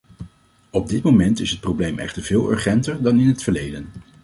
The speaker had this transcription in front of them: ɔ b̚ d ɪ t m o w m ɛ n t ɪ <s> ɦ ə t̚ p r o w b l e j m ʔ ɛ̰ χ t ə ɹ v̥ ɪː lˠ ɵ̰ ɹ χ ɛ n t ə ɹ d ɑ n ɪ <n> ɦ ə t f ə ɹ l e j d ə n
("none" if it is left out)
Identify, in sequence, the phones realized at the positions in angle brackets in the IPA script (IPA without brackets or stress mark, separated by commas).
s, n